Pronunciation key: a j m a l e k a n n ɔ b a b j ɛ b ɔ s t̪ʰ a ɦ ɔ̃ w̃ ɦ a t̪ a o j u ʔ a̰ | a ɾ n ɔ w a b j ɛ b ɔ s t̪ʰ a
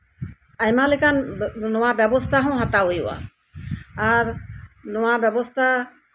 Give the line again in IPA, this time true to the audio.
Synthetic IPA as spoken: a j m a l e k a n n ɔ w a b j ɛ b ɔ s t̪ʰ a ɦ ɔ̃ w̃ ɦ a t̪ a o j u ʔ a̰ | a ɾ n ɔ w a b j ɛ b ɔ s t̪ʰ a